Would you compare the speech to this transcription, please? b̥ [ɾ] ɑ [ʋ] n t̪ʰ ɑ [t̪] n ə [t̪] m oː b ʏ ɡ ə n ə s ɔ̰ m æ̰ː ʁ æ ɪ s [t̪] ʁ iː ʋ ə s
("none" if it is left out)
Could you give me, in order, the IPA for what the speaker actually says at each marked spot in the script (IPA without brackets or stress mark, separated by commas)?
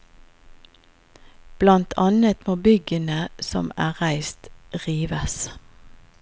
l, none, none, t̪, t̪